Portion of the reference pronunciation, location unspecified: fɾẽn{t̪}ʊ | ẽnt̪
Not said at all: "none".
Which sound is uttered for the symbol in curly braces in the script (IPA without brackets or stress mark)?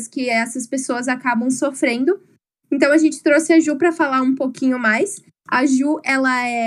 d̪